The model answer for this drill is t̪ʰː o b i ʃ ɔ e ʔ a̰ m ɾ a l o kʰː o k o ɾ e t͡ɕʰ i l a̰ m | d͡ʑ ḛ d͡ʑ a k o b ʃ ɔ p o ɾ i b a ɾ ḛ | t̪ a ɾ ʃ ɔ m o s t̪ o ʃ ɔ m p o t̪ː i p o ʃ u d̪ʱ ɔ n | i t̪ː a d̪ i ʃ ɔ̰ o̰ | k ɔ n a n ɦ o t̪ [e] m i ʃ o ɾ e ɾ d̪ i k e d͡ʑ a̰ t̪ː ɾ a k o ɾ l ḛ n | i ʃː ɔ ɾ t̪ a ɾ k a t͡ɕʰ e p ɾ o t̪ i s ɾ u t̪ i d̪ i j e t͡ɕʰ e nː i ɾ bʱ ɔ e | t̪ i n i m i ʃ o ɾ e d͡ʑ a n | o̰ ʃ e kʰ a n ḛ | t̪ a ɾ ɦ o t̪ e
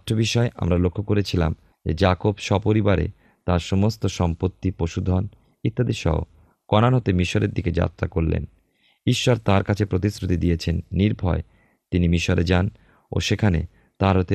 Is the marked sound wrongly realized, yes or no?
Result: no